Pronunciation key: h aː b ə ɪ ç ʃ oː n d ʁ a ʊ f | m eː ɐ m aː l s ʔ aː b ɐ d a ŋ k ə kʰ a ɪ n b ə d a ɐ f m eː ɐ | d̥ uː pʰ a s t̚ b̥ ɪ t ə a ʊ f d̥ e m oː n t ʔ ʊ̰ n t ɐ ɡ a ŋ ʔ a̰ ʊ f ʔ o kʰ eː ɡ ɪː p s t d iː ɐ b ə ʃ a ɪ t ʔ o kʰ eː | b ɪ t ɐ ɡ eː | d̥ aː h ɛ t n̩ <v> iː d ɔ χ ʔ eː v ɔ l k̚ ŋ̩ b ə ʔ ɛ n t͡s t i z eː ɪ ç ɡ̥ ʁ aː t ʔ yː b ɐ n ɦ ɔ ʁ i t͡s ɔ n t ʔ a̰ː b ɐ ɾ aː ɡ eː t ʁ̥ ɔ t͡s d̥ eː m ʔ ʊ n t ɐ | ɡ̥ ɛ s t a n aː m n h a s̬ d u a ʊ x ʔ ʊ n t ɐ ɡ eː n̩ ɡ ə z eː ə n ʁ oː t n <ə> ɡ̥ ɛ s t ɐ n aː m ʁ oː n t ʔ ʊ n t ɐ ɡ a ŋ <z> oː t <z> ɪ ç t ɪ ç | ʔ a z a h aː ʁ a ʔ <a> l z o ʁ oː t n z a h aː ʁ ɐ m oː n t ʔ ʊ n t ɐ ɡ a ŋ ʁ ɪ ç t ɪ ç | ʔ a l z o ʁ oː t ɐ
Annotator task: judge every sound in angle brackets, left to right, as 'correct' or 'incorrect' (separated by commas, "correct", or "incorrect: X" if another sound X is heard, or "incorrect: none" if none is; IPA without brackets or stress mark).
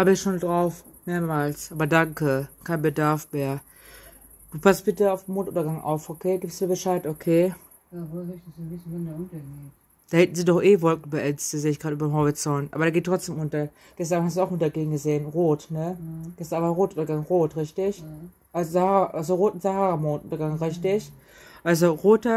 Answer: incorrect: z, correct, incorrect: ʁ, incorrect: ʁ, correct